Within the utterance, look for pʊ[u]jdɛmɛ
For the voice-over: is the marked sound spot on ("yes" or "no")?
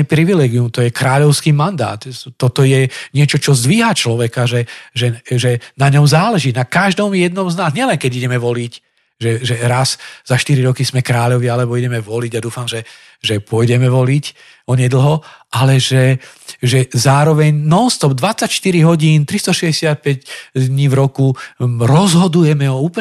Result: no